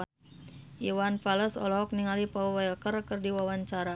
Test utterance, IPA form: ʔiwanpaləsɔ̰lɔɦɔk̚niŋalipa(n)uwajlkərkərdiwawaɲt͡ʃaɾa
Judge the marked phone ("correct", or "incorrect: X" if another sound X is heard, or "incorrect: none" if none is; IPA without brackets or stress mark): incorrect: none